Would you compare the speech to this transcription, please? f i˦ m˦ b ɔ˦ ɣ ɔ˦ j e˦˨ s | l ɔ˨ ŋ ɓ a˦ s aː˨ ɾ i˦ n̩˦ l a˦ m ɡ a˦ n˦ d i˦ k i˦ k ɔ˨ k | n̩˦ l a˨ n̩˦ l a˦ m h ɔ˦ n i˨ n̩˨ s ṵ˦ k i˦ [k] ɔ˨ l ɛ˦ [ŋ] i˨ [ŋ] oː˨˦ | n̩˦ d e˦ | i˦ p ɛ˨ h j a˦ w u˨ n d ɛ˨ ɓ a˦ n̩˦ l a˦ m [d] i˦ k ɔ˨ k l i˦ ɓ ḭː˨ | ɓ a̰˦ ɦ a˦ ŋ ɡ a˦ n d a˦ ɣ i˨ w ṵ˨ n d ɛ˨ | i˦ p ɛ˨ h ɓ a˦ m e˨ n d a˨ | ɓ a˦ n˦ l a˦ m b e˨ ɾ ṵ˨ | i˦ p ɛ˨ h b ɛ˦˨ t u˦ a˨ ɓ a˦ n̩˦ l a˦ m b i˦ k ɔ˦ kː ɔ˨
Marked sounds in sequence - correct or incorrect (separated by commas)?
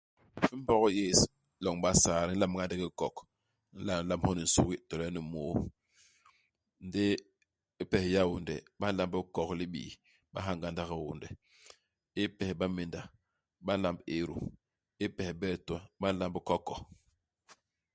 incorrect, incorrect, incorrect, incorrect